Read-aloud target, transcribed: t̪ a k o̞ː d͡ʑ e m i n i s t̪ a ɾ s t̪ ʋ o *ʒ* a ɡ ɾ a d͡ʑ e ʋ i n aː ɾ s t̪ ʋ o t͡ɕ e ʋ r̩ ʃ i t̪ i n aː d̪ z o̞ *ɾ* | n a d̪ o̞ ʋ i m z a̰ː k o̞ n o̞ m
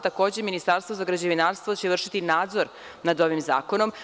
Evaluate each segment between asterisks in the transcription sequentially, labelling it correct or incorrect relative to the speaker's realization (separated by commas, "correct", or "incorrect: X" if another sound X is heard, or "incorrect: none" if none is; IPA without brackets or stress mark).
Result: incorrect: z, correct